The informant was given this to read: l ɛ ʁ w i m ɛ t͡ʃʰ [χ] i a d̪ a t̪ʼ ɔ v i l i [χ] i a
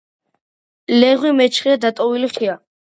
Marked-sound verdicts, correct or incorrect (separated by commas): correct, correct